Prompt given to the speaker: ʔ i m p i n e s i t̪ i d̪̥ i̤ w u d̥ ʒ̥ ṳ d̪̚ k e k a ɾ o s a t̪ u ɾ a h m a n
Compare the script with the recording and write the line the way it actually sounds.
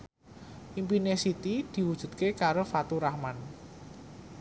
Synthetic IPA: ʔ i m p i n e s i t̪ i d̪̥ i̤ w u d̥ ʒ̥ ṳ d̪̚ k e k a ɾ o f a t̪ u ɾ a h m a n